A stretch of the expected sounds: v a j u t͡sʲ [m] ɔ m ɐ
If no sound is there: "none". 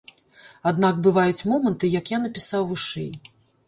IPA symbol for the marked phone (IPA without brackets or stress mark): m